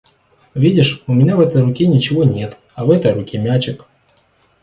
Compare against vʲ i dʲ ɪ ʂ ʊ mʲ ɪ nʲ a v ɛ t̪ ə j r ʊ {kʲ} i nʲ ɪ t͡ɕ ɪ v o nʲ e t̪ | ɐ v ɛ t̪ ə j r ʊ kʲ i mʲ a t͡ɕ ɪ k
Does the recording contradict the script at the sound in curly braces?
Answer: no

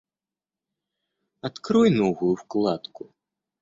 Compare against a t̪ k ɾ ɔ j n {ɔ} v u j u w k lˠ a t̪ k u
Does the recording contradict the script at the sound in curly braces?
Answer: no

